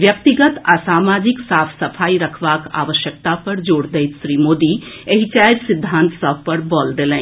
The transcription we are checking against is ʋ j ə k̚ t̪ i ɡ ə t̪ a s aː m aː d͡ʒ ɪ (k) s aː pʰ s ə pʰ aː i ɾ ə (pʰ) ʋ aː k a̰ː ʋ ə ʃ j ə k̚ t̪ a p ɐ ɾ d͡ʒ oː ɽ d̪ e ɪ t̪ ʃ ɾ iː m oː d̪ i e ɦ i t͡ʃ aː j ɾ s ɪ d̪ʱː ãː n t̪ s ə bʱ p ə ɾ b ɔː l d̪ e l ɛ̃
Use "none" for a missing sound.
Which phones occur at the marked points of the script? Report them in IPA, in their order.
k, kʰ

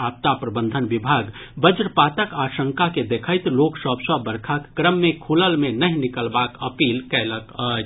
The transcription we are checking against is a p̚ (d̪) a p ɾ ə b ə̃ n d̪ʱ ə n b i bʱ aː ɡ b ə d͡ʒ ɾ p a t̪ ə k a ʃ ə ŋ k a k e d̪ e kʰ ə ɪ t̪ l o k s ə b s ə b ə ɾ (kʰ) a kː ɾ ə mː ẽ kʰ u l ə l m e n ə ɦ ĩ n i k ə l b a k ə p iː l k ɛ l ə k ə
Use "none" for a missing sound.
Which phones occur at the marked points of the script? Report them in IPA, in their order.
t̪, kʰ

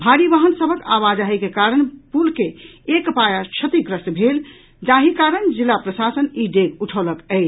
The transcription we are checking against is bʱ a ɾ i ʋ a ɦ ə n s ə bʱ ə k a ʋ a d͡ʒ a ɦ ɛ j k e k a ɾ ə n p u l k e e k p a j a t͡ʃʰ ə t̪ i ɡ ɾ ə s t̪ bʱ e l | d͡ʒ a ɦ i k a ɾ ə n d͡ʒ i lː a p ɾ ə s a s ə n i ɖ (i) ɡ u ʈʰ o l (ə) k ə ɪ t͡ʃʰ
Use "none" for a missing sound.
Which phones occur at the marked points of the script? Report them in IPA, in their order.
e, ə

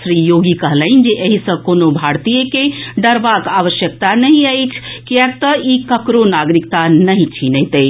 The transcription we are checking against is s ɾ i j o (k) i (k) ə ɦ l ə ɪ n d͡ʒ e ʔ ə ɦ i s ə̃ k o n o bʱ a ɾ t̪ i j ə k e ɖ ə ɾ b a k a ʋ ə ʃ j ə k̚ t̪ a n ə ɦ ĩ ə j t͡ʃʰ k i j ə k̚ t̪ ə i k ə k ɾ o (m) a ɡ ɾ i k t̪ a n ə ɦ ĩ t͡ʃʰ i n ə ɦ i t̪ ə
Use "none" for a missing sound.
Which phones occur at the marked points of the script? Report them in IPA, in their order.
ɡ, k, n

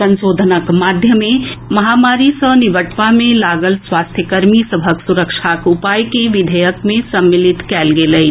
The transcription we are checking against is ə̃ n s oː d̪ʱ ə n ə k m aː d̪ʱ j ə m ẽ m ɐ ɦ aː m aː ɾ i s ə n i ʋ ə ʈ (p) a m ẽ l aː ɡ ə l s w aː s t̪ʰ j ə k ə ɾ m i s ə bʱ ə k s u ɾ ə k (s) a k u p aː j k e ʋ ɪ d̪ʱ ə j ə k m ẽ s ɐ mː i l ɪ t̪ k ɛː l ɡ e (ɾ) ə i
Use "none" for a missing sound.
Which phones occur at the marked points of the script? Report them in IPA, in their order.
p, ʃ, l

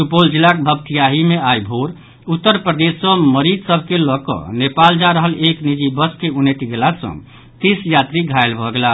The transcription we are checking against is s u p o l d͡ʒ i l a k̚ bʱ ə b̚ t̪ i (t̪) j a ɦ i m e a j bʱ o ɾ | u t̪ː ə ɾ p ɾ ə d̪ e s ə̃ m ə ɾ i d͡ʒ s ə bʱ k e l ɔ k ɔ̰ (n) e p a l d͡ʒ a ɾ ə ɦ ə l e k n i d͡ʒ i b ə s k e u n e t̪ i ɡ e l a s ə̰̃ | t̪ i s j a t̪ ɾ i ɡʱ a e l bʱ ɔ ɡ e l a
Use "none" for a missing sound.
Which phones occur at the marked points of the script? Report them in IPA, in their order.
none, n

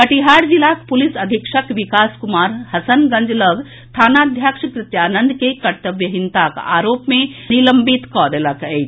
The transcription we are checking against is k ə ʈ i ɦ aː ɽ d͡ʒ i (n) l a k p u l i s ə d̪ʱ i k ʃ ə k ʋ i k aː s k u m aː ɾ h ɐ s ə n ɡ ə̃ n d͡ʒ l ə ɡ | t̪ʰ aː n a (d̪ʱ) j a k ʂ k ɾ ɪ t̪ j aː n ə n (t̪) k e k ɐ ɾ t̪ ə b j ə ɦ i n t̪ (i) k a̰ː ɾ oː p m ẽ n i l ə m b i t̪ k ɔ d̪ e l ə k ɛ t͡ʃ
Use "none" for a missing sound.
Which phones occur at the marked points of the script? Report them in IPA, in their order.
none, d̪ʱ, d̪, a

